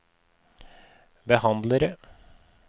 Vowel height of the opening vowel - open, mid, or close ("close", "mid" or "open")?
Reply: mid